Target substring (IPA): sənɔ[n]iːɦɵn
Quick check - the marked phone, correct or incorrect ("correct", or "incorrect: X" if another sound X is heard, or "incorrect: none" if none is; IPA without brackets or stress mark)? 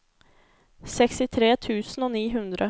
correct